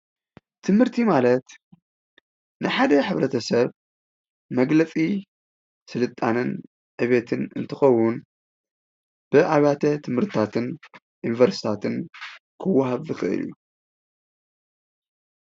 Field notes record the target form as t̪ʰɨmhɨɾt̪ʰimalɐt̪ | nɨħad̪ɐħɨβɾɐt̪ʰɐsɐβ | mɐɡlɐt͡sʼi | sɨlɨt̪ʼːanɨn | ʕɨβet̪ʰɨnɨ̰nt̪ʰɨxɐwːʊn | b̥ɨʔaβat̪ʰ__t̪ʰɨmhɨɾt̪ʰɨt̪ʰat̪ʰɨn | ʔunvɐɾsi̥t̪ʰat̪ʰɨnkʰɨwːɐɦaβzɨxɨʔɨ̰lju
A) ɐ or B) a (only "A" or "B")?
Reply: A